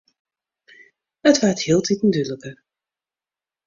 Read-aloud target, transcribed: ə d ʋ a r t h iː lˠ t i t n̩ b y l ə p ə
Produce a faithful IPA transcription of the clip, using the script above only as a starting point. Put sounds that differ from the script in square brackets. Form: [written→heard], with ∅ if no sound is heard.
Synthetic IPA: ə [d→t] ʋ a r t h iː lˠ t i t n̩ [b→d] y l ə [p→k] ə